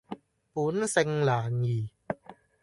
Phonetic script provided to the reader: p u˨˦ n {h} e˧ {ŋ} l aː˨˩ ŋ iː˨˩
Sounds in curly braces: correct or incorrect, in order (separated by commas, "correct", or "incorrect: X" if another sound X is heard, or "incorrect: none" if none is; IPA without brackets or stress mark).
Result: incorrect: s, correct